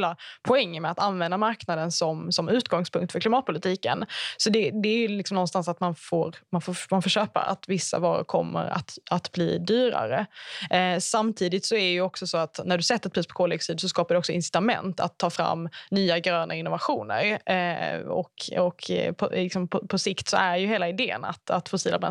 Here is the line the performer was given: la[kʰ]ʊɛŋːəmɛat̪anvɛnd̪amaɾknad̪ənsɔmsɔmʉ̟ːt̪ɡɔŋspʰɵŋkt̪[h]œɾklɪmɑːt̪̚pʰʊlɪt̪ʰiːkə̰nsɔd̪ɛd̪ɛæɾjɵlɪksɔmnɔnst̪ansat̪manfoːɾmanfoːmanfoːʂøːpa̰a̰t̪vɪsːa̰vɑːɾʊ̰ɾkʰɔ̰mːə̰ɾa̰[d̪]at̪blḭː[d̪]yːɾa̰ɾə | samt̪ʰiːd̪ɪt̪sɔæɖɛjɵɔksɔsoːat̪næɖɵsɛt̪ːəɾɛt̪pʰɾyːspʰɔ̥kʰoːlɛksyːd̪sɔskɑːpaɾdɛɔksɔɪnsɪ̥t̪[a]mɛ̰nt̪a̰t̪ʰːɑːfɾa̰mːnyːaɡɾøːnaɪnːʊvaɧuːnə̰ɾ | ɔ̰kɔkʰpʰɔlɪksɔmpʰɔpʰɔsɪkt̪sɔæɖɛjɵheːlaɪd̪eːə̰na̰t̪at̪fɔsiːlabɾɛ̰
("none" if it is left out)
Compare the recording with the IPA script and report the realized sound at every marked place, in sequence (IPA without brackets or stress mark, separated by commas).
pʰ, f, t̪, d̪, a